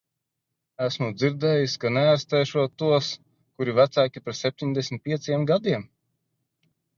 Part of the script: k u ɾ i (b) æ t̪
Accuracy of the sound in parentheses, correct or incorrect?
incorrect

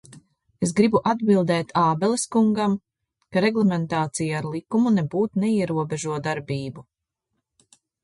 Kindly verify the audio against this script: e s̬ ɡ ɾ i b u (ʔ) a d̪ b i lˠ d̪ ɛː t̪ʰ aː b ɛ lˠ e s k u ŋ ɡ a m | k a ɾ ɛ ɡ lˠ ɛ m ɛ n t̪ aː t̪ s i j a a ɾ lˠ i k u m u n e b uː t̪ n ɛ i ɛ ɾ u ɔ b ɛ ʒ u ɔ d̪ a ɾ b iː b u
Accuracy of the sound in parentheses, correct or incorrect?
correct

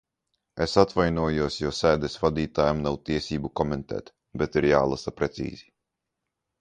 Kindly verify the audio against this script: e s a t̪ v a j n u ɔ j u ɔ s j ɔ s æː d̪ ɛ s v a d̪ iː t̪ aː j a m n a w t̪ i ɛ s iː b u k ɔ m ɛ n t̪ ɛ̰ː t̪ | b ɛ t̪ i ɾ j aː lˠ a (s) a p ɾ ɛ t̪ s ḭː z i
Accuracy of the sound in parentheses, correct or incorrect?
correct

